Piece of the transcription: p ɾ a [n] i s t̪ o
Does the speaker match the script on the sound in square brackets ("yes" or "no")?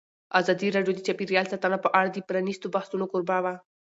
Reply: yes